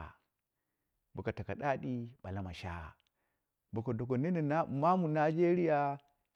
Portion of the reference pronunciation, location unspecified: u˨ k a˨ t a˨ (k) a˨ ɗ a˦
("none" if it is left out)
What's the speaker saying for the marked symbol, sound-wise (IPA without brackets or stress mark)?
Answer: k